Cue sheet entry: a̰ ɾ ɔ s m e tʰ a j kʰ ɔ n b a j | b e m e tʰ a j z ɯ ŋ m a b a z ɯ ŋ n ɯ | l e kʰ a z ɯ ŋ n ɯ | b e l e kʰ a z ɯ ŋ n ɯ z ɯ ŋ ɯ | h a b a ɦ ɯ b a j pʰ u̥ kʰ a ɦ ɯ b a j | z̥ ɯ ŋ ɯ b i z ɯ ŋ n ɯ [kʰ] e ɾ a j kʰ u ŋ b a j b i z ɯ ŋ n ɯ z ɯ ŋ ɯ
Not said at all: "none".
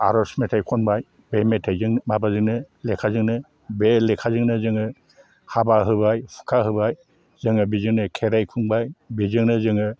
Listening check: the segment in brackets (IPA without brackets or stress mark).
kʰ